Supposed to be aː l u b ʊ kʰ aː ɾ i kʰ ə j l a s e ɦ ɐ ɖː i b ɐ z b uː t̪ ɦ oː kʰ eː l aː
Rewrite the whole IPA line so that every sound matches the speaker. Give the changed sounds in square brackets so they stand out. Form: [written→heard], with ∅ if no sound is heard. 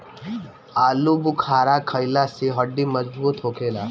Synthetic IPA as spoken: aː l u b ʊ kʰ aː ɾ [i→a] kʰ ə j l a s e ɦ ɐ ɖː i [b→m] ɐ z b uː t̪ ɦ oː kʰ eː l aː